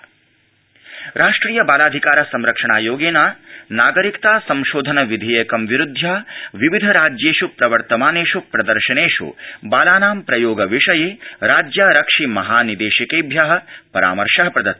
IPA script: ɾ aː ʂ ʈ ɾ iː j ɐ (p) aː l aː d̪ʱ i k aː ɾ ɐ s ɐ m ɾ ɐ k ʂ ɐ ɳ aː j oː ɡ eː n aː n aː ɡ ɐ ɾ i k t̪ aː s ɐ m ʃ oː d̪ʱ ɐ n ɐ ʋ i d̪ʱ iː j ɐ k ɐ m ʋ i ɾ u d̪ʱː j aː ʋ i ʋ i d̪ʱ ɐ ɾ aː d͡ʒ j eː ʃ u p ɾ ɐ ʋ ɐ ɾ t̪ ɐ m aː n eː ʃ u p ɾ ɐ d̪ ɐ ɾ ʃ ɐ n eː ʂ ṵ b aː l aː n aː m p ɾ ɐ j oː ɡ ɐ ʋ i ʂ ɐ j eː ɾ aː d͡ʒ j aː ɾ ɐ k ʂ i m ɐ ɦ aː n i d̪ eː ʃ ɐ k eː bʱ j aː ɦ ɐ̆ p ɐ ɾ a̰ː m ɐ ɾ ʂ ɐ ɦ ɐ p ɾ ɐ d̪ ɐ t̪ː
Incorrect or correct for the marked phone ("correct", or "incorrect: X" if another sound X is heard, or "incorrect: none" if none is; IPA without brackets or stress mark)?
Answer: incorrect: b